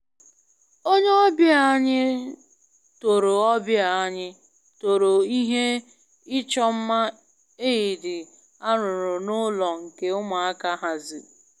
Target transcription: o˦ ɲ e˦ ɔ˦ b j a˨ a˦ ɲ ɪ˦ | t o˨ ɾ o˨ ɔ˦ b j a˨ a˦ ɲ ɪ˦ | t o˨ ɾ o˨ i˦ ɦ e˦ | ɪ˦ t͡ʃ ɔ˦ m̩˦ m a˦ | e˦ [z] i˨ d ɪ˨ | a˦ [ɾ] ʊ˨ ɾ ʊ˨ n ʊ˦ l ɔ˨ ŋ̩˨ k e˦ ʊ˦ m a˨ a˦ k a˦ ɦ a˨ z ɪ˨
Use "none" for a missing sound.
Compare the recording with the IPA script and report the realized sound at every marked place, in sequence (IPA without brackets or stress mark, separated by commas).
none, ɾ